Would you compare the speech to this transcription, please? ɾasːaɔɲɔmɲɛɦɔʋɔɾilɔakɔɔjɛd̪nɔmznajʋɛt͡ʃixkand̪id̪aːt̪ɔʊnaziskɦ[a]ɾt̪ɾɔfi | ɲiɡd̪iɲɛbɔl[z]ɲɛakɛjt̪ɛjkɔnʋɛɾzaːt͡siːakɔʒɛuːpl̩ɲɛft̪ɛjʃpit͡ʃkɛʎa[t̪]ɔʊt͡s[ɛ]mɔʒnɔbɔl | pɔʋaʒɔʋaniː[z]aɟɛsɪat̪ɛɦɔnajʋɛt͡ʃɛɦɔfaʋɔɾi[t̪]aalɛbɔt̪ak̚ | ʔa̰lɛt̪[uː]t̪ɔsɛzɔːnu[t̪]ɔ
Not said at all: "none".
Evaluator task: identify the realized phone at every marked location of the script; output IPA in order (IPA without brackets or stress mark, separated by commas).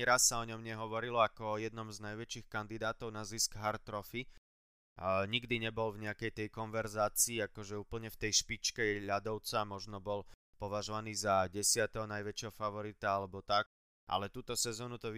a, v, d̪, a, z, t̪, uː, t̪